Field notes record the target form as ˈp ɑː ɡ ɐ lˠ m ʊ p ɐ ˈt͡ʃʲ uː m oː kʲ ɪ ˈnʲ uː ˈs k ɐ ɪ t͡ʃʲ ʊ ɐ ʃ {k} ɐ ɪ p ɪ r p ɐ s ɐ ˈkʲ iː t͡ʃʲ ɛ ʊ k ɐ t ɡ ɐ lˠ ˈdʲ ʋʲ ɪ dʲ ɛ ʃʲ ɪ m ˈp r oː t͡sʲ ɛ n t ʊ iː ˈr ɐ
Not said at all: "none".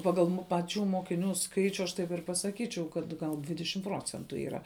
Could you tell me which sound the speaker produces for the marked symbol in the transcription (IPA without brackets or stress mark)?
t